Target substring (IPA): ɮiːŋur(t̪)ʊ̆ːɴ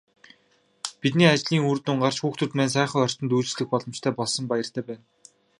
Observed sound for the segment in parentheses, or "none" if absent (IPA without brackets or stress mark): t̪